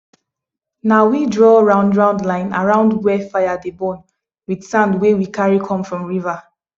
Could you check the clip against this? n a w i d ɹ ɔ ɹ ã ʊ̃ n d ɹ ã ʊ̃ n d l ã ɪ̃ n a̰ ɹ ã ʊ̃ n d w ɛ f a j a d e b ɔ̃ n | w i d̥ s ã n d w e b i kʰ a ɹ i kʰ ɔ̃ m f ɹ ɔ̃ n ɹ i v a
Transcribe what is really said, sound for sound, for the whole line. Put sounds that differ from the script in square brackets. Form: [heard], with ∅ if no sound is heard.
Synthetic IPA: n a w i d ɹ ɔ ɹ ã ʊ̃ n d ɹ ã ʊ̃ n d l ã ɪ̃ n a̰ ɹ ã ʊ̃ n d w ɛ f a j a d e b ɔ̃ n | w i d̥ s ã n d w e [w] i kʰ a ɹ i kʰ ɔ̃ m f ɹ ɔ̃ [m] ɹ i v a